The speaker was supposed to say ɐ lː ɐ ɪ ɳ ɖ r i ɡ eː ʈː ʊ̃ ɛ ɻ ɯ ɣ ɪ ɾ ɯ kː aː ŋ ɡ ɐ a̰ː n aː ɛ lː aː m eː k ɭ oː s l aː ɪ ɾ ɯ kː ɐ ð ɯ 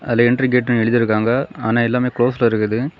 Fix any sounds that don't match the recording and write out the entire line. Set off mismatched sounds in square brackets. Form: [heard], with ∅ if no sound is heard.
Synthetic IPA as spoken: ɐ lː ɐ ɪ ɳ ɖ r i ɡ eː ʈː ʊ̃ ɛ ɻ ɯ [ð] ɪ ɾ ɯ kː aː ŋ ɡ ɐ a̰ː n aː ɛ lː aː m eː k ɭ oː s l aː ɪ ɾ ɯ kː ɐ ð ɯ